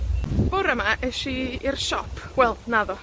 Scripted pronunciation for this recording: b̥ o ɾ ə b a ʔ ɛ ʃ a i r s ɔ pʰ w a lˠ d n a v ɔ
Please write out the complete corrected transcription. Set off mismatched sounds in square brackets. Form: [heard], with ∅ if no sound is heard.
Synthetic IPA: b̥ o ɾ ə [m] a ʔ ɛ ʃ [i] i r [ʃ] ɔ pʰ w [ɛ] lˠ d n a [ð] ɔ